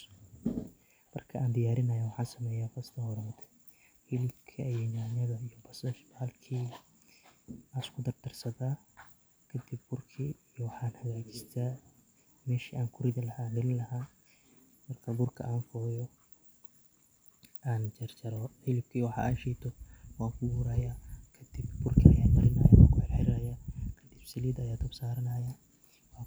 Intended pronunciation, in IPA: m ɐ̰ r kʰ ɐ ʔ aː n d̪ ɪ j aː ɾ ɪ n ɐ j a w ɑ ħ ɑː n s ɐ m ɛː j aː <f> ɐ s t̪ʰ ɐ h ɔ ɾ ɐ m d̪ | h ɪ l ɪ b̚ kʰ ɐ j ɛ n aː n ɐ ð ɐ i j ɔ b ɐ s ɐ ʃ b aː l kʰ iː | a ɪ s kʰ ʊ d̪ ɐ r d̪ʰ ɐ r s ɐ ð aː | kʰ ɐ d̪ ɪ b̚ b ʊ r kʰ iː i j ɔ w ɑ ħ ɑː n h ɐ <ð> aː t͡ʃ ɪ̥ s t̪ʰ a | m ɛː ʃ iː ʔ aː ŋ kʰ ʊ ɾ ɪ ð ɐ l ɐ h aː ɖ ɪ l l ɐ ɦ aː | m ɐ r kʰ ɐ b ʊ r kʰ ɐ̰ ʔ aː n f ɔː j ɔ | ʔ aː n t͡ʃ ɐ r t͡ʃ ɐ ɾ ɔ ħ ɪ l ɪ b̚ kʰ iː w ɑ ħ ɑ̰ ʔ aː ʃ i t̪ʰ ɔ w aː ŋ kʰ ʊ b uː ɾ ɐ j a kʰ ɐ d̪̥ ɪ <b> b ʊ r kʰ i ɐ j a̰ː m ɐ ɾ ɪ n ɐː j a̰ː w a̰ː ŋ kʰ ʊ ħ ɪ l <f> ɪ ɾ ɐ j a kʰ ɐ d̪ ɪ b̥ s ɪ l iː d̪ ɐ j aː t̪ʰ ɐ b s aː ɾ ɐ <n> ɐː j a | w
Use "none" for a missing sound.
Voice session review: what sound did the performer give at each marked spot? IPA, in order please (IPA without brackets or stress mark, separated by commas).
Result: f, ɣ, b, ħ, n